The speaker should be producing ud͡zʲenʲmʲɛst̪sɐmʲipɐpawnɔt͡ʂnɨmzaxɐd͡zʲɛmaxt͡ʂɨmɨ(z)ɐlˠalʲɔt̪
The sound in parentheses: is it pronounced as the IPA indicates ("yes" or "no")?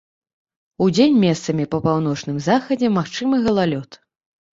no